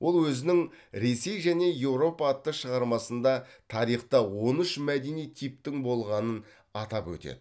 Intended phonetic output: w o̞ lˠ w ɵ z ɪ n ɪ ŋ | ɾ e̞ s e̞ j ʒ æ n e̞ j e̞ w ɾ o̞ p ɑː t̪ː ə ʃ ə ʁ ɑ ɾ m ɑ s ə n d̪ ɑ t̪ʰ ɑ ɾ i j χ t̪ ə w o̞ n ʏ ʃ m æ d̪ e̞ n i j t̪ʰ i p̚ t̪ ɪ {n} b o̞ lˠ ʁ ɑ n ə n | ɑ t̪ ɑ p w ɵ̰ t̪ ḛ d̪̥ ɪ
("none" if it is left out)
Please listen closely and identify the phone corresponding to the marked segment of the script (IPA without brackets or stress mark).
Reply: ŋ